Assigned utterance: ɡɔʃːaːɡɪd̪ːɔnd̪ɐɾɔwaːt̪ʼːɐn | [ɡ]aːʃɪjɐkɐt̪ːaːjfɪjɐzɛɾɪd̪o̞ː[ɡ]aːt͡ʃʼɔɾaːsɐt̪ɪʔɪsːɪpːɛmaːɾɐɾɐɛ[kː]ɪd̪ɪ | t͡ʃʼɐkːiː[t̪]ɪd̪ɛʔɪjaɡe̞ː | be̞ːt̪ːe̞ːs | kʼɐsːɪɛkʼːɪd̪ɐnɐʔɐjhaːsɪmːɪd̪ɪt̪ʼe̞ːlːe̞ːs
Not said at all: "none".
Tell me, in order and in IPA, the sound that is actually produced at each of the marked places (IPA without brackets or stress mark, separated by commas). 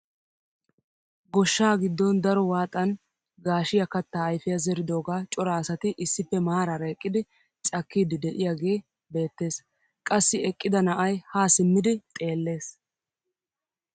ɡ, ɡ, kʼː, d̪